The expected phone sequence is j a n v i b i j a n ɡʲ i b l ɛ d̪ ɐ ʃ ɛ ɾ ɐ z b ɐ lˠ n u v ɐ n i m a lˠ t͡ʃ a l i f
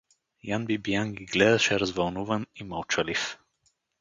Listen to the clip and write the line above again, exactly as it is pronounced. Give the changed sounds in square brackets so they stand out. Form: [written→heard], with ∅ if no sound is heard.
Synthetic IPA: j a n [v→b] i b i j a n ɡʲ i [b→ɡ] l ɛ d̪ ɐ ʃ ɛ ɾ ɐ z [b→v] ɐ lˠ n u v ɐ n i m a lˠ t͡ʃ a l i f